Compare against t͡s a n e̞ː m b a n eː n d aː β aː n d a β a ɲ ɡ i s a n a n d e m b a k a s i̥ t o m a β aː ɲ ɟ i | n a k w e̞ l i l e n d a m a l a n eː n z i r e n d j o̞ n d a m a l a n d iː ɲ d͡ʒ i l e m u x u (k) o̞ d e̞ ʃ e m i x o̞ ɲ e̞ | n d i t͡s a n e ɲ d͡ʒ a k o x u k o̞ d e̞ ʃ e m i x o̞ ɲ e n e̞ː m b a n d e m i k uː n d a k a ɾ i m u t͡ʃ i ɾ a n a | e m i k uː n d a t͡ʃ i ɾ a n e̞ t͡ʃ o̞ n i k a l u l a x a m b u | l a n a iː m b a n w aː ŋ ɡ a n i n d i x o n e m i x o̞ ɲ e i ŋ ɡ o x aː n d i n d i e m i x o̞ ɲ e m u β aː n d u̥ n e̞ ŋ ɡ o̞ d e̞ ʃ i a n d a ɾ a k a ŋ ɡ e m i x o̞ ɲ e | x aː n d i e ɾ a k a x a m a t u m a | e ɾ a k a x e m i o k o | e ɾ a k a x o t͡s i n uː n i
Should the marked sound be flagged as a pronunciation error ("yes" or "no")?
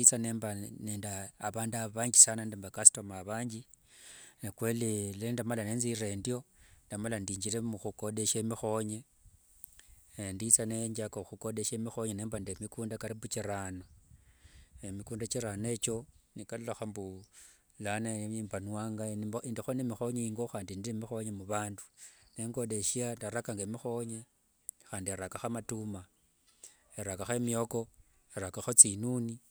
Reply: no